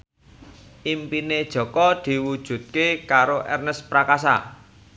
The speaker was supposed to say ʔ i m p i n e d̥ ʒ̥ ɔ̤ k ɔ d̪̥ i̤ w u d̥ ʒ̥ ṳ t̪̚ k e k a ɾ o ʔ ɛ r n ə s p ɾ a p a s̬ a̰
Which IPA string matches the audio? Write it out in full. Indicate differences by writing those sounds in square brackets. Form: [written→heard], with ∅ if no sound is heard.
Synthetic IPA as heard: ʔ i m p i n e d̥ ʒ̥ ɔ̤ k ɔ d̪̥ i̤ w u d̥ ʒ̥ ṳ t̪̚ k e k a ɾ o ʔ ɛ r n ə s p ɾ a [p→k] a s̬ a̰